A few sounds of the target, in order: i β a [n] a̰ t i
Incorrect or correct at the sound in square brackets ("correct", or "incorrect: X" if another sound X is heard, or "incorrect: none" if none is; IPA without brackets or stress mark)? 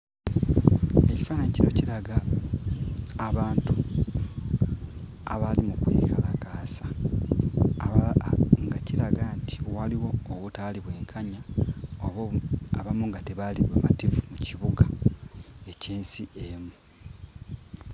incorrect: m